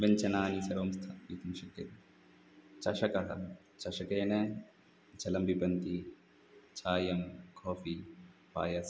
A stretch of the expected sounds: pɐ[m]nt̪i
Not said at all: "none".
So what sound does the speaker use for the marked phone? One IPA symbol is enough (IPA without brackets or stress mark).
none